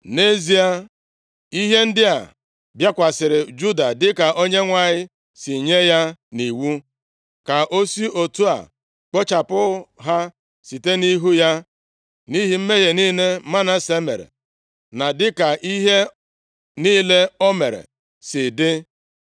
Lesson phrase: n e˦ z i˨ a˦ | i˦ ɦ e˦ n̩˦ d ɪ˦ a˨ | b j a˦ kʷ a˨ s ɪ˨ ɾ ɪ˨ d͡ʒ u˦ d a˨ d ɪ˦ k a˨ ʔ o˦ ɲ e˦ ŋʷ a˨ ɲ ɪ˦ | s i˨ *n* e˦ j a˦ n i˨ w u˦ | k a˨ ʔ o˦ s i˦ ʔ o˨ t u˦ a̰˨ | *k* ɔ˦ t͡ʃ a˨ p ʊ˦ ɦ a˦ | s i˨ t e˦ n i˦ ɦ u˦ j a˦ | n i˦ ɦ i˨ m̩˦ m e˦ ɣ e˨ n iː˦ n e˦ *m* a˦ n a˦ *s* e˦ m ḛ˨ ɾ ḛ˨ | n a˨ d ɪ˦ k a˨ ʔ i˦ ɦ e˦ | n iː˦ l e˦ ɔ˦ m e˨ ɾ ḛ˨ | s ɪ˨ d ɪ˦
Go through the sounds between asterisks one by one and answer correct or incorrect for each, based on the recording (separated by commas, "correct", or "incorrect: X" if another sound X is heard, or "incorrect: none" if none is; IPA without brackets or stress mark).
incorrect: ɲ, incorrect: k͡p, correct, correct